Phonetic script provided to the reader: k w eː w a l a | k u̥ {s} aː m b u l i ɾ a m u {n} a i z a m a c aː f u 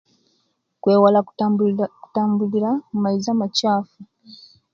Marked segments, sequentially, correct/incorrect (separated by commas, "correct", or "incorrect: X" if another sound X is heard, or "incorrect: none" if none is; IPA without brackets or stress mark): incorrect: t, incorrect: m